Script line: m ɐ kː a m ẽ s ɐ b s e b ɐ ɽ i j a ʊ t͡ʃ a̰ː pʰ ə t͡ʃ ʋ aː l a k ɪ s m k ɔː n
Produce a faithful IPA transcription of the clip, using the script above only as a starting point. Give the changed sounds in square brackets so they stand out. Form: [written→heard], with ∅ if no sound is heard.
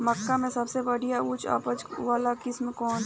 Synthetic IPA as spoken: m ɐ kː a m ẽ s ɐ b s e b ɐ ɽ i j a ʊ t͡ʃ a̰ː [pʰ→p] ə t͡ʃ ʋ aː l a k ɪ s m k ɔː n